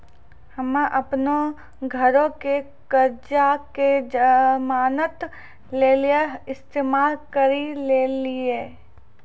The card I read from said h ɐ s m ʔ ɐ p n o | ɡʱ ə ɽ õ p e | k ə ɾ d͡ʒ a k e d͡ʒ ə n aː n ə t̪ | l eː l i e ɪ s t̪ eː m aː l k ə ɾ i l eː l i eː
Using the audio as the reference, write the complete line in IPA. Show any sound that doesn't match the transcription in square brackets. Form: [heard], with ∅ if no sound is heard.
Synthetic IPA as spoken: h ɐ [∅] m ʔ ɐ p n o | ɡʱ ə [ɾ] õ [k] e | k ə ɾ d͡ʒ a k e d͡ʒ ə [m] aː n ə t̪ | l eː l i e ɪ s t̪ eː m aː l k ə ɾ i l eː l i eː